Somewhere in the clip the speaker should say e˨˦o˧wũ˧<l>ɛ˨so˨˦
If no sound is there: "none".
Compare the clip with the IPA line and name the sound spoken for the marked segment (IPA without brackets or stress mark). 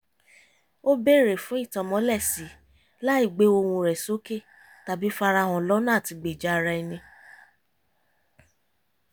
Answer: ɾ